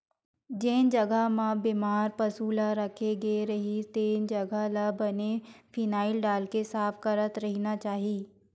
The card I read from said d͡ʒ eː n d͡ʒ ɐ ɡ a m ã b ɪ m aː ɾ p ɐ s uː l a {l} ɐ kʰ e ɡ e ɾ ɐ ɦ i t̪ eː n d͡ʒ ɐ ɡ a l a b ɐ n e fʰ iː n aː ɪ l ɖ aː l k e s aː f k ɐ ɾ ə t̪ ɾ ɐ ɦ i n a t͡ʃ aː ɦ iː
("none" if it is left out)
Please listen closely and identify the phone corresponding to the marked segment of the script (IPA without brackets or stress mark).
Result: ɾ